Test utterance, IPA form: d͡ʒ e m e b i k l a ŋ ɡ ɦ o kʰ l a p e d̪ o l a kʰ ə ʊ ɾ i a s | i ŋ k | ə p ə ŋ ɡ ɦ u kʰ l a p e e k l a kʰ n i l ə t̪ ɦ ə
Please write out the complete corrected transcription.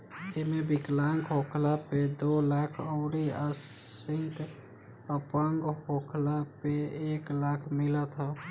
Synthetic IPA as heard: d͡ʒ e m e b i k l a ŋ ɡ ɦ o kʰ l a p e d̪ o l a kʰ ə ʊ ɾ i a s | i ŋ k | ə p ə ŋ ɡ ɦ o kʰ l a p e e k l a kʰ m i l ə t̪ ɦ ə